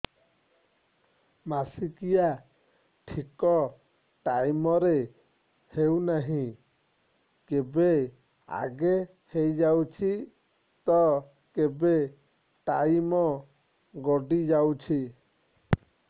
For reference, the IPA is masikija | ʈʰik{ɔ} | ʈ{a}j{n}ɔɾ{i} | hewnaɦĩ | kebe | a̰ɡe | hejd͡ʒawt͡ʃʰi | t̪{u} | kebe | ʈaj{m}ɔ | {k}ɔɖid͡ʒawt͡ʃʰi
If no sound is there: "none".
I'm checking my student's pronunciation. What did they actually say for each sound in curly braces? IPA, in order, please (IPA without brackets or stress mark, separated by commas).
ɔ, a, m, e, ɔ, m, ɡ